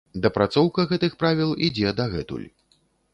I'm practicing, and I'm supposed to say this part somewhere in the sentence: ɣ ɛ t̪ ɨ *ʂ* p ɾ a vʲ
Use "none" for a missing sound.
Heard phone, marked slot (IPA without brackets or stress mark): x